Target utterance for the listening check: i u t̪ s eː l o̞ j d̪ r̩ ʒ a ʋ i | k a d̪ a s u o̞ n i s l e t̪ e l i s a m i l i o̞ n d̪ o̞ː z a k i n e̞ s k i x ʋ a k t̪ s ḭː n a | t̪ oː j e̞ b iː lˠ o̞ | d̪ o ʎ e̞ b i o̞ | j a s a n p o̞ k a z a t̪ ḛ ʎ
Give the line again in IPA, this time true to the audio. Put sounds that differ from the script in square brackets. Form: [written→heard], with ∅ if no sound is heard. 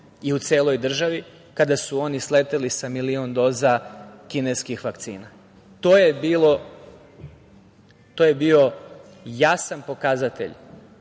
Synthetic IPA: i u t̪ s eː l o̞ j d̪ r̩ ʒ a ʋ i | k a d̪ a s u o̞ n i s l e t̪ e l i s a m i l i o̞ n d̪ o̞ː z a k i n e̞ s k i x ʋ a k t̪ s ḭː n a | t̪ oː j e̞ b iː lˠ o̞ | [d̪→t̪] o [ʎ→j] e̞ b i o̞ | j a s a n p o̞ k a z a t̪ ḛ ʎ

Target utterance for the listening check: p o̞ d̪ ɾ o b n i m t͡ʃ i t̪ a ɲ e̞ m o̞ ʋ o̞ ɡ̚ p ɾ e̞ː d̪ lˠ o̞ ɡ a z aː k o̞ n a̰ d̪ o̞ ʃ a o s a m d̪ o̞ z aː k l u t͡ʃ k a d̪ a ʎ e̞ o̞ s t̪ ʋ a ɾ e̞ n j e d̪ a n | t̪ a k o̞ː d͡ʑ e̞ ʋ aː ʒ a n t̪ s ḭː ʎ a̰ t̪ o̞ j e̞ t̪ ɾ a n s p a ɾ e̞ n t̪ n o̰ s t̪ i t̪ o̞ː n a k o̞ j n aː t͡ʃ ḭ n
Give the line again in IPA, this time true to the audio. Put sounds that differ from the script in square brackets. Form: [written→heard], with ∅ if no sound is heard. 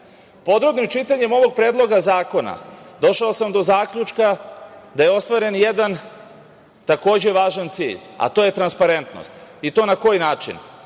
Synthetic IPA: p o̞ d̪ ɾ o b n i m t͡ʃ i t̪ a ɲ e̞ m o̞ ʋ o̞ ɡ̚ p ɾ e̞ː d̪ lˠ o̞ ɡ a z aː k o̞ n a̰ d̪ o̞ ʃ a o s a m d̪ o̞ z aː k [l→ʎ] u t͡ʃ k a d̪ a [ʎ→j] e̞ o̞ s t̪ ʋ a ɾ e̞ n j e d̪ a n | t̪ a k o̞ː d͡ʑ e̞ ʋ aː ʒ a n t̪ s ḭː ʎ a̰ t̪ o̞ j e̞ t̪ ɾ a n s p a ɾ e̞ n t̪ n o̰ s t̪ i t̪ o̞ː n a k o̞ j n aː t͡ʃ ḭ n

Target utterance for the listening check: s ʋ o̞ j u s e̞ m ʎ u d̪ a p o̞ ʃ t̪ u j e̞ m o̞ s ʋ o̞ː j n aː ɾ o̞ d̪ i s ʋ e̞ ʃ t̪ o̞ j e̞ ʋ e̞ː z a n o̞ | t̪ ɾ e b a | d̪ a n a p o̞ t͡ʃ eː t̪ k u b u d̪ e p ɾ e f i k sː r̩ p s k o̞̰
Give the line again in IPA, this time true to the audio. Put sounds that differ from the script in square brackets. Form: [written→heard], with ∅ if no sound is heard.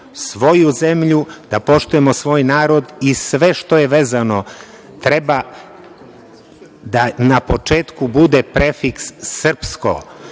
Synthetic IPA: s ʋ o̞ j u [s→z] e̞ m ʎ u d̪ a p o̞ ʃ t̪ u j e̞ m o̞ s ʋ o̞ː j n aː ɾ o̞ d̪ i s ʋ e̞ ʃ t̪ o̞ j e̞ ʋ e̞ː z a n o̞ | t̪ ɾ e b a | d̪ a n a p o̞ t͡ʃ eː t̪ k u b u d̪ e p ɾ e f i k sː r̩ p s k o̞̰

